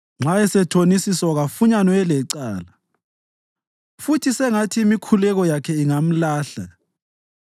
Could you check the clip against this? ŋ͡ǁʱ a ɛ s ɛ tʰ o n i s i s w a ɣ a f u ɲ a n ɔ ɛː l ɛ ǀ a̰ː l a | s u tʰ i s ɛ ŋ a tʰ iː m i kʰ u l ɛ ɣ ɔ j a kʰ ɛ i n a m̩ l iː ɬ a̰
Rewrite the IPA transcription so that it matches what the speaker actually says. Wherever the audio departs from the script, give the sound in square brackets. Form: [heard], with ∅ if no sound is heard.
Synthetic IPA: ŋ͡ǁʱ a ɛ s ɛ tʰ o n i s i s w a ɣ a f u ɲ a n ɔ [ɛ] l ɛ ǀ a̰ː l a | [f] u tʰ i s ɛ ŋ a tʰ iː m i kʰ u l ɛ ɣ ɔ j a kʰ ɛ i [ŋ] a m̩ l [aː] ɬ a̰